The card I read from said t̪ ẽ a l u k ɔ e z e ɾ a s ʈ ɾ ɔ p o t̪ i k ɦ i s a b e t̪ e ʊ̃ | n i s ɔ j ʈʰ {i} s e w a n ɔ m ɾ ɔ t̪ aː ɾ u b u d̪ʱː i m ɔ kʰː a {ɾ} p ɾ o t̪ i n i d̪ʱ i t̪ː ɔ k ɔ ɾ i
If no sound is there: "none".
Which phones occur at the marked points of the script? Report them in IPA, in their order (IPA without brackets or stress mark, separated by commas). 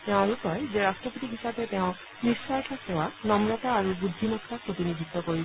a, none